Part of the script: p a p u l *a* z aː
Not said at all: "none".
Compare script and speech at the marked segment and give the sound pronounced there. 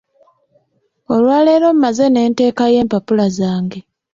a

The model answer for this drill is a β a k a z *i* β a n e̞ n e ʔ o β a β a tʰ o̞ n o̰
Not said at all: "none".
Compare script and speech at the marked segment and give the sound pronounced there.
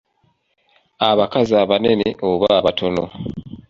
a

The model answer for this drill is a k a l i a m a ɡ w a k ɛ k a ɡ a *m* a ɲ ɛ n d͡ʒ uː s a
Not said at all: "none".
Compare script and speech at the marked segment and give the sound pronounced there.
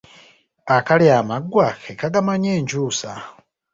m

